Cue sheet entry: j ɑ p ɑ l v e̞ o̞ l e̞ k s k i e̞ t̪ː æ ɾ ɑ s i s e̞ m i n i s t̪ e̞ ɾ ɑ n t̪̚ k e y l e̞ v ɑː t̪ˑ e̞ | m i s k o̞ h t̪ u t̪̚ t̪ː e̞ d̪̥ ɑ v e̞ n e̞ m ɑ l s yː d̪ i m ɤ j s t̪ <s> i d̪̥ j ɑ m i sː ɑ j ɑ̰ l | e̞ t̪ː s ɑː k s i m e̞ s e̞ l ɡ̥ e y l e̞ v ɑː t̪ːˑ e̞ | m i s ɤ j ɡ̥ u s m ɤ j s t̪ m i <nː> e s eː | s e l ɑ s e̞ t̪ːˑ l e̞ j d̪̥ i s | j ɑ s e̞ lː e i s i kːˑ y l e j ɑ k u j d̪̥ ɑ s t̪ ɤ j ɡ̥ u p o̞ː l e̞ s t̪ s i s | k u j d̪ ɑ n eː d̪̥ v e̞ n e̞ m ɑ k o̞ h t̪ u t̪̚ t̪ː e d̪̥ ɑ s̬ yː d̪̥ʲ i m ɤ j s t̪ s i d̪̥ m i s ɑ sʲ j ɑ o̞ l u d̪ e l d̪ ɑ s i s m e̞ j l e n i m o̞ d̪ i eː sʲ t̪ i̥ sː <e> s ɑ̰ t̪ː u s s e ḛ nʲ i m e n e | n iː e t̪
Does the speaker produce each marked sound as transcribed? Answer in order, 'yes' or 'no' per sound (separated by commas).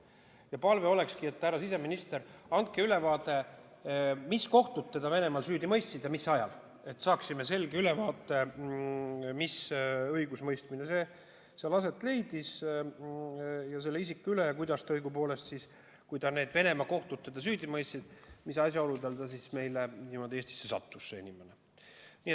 yes, no, yes